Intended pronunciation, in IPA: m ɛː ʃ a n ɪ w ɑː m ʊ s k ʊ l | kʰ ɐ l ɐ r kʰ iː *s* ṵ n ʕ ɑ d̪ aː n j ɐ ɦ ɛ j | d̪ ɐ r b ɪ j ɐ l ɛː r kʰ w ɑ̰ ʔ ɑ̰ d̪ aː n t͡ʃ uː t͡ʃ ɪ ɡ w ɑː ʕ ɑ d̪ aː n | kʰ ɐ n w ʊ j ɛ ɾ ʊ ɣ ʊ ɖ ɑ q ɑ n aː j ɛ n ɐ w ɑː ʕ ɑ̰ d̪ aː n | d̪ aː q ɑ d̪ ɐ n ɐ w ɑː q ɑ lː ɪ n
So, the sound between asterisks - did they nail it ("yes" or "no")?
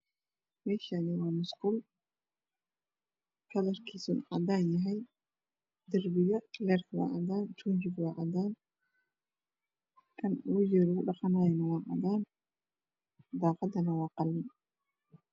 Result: yes